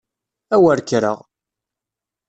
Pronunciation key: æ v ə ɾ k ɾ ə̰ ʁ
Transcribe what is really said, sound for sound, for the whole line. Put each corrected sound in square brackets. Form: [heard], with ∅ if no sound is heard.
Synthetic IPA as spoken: æ [w] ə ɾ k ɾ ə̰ ʁ